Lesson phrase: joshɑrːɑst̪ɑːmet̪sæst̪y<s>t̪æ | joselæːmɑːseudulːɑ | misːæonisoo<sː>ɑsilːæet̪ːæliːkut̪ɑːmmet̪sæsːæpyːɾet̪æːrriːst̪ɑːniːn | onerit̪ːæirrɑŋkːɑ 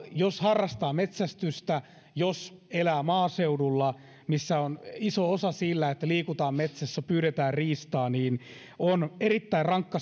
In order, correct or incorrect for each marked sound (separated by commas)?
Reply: correct, incorrect